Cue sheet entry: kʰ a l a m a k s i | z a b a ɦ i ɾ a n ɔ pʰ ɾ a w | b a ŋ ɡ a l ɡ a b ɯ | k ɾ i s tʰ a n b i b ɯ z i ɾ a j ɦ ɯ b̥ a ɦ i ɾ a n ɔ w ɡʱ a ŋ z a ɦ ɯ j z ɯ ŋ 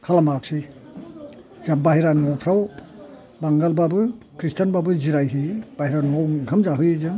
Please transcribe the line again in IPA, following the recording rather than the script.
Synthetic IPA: kʰ a l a m a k s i | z a b a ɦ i ɾ a n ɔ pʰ ɾ a w | b a ŋ ɡ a l b a b ɯ | k ɾ i s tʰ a n b a b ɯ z i ɾ a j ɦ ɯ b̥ a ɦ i ɾ a n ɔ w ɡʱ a m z a ɦ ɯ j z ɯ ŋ